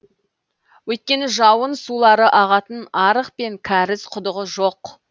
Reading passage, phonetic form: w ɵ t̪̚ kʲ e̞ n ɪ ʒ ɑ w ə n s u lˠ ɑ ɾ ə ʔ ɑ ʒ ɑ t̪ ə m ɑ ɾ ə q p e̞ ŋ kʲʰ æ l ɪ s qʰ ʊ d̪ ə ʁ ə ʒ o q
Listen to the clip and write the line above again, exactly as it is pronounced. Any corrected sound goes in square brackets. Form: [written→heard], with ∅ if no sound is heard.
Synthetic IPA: w ɵ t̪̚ kʲ e̞ n ɪ ʒ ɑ w ə n s u lˠ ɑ ɾ ə ʔ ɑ [ʒ→ʁ] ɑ t̪ ə [m→n] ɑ ɾ ə q p e̞ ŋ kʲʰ æ [l→ɾ] ɪ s qʰ ʊ d̪ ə ʁ ə ʒ o q